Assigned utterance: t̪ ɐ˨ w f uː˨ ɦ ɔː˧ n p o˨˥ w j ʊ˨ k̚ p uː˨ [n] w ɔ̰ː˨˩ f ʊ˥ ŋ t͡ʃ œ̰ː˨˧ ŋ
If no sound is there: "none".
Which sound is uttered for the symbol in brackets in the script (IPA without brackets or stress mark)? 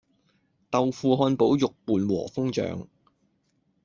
n